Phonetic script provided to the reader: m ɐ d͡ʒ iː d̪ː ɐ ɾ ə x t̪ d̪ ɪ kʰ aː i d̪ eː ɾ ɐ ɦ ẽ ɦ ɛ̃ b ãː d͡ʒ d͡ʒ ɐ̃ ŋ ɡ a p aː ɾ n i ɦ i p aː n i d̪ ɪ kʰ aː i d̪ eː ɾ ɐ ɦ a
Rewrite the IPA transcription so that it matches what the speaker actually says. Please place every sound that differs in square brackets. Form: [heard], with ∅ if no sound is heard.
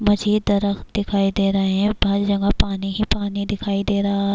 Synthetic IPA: m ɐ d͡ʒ iː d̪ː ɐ ɾ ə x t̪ d̪ ɪ kʰ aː i d̪ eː ɾ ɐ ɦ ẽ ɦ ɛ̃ b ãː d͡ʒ d͡ʒ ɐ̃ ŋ ɡ a p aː [∅] n i ɦ i p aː n i d̪ ɪ kʰ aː i d̪ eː ɾ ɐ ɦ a